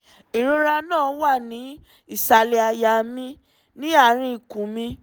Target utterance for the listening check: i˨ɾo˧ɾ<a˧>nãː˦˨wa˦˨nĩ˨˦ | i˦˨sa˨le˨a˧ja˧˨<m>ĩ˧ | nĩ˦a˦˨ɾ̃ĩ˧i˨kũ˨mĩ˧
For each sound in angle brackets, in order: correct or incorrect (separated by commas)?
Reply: correct, correct